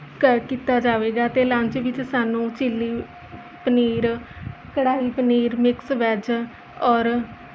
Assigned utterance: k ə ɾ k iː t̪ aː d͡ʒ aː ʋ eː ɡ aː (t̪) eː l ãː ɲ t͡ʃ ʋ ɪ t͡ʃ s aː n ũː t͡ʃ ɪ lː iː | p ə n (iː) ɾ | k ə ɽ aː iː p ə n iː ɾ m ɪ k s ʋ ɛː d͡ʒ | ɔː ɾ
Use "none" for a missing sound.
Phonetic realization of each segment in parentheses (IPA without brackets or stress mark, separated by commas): t̪, iː